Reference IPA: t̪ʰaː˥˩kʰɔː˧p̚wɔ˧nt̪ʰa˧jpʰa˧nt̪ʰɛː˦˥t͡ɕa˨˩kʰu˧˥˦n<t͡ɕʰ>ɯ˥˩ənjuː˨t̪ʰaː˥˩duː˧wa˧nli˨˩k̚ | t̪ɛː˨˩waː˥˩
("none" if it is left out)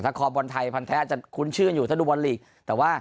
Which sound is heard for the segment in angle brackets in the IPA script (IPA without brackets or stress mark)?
t͡ɕʰ